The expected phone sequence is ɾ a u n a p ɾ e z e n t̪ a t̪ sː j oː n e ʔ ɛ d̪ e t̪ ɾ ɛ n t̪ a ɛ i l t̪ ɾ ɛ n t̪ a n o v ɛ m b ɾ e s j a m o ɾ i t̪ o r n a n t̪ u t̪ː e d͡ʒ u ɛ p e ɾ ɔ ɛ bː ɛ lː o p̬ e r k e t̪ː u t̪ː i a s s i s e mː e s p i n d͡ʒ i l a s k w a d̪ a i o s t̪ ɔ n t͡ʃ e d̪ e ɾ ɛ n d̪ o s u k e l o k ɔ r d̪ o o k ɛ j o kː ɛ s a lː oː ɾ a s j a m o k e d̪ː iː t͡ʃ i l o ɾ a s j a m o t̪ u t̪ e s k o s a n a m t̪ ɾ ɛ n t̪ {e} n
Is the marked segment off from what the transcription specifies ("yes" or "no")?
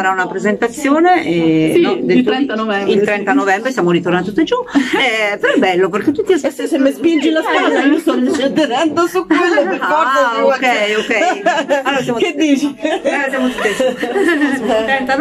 yes